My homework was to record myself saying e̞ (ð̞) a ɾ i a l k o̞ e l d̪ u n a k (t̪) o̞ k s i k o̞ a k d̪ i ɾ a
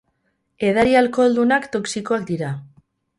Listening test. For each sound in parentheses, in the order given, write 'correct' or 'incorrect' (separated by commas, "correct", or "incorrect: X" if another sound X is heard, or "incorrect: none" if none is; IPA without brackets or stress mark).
correct, correct